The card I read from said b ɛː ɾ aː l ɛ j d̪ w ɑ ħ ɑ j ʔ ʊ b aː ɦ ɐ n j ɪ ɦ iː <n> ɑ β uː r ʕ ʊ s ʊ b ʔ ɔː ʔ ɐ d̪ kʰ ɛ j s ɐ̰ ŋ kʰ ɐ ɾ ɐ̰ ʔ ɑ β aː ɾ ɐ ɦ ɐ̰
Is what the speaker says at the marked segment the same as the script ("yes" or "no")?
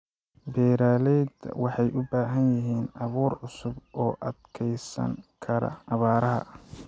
yes